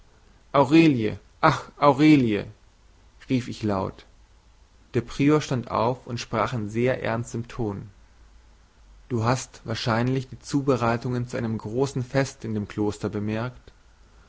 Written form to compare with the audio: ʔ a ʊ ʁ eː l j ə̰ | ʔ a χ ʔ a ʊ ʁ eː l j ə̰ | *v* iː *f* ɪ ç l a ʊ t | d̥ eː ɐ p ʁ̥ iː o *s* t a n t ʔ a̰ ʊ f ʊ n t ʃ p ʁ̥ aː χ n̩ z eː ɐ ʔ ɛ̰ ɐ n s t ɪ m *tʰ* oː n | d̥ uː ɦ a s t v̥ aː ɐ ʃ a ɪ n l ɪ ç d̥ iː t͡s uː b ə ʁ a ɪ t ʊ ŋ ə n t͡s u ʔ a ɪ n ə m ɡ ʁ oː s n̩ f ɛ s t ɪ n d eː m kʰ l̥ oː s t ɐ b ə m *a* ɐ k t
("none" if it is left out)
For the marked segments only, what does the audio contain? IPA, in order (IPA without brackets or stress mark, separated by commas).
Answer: ʁ, f, ʃ, tʰ, ɛ